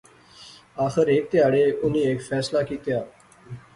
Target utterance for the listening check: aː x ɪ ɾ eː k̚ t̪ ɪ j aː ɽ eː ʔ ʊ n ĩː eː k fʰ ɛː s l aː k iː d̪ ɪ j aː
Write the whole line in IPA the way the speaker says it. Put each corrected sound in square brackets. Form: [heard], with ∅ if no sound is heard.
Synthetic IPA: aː x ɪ ɾ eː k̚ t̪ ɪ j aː ɽ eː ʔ ʊ n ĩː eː k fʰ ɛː s l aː k iː [t̪] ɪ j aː

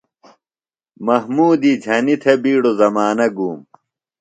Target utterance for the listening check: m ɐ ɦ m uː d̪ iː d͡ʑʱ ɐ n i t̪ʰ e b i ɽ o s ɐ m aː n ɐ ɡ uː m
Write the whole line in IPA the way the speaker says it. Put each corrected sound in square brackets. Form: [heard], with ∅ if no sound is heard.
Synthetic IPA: m ɐ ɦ m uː d̪ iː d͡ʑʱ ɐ n i t̪ʰ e b [iː] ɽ o [z] ɐ m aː n ɐ ɡ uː m

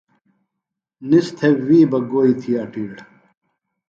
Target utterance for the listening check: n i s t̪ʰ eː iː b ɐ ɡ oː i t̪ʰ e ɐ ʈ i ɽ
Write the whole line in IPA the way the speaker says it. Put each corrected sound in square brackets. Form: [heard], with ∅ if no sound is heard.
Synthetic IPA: n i s t̪ʰ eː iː b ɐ ɡ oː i t̪ʰ [i] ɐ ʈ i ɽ

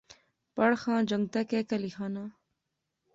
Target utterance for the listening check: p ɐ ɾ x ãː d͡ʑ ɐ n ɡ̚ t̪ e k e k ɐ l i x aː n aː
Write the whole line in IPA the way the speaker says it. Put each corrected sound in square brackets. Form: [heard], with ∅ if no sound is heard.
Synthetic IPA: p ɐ [ɽ] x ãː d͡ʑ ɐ [ŋ] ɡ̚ t̪ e k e k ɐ l i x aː n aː

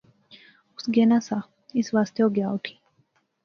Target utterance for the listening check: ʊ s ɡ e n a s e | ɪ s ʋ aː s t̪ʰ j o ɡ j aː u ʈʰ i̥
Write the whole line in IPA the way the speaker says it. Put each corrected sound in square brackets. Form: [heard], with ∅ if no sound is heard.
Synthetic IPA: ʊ s ɡ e n a s [a] | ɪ s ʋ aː s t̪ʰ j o ɡ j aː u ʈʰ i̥

